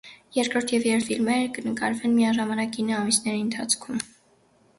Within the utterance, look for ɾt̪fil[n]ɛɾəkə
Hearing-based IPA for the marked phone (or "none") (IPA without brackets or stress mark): m